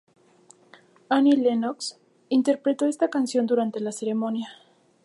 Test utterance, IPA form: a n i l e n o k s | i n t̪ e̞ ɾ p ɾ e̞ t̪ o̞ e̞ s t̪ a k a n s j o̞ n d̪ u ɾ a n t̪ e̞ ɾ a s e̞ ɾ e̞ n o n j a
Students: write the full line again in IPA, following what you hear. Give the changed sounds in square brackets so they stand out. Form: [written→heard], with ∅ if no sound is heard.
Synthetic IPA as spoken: a n i l e n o k s | i n t̪ e̞ ɾ p ɾ e̞ t̪ o̞ e̞ s t̪ a k a n s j o̞ n d̪ u ɾ a n t̪ e̞ [ɾ→l] a s e̞ ɾ e̞ [n→m] o n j a